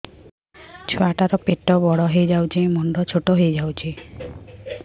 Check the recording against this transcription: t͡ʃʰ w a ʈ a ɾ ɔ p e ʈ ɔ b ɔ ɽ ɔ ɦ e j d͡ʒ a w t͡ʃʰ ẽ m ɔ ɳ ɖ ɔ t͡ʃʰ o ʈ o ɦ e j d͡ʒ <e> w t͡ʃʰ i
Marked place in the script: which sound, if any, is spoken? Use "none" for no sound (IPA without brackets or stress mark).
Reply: a